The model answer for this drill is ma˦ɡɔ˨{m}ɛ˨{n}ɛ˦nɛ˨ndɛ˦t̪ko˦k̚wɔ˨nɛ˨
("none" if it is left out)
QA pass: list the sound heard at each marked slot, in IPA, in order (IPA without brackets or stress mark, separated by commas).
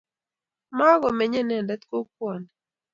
m, ɲ